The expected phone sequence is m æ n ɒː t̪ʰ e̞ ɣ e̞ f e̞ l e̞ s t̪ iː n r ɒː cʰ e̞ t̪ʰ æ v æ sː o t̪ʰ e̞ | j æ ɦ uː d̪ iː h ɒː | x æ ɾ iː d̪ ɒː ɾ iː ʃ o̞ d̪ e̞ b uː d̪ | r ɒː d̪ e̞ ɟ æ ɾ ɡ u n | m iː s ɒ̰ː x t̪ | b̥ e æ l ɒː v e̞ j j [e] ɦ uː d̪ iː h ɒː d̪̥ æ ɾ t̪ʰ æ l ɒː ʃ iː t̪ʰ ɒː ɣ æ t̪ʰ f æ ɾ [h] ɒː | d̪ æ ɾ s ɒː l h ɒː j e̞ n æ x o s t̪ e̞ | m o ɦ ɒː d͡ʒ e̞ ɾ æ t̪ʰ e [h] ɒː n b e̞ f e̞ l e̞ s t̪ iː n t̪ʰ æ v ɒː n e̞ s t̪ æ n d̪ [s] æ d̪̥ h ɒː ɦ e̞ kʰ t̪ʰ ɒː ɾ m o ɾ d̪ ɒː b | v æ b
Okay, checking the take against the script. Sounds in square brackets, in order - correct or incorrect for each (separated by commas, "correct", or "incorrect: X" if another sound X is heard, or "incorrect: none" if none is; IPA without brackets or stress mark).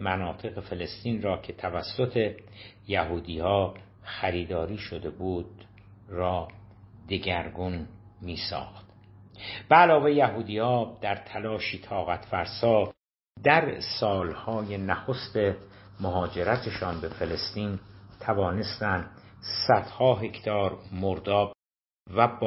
incorrect: æ, incorrect: s, incorrect: ʃ, correct